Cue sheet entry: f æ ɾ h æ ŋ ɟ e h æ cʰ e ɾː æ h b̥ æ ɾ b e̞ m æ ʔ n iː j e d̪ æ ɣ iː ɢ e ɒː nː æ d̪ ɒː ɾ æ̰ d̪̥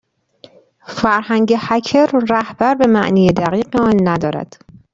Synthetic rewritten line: f æ ɾ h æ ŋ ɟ e h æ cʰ e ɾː æ h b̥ æ ɾ b e̞ m æ ʔ n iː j e d̪ æ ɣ iː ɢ e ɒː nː æ d̪ ɒː ɾ æ̰ d̪̥